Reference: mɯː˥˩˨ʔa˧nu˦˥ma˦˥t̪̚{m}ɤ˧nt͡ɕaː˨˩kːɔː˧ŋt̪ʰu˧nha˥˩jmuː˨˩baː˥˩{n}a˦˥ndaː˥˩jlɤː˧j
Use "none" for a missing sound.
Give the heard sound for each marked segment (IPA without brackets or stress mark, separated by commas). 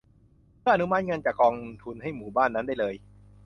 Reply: ŋ, nː